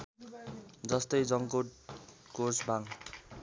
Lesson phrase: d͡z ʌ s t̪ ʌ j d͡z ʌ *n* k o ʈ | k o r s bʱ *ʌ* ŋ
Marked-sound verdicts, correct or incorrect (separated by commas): incorrect, incorrect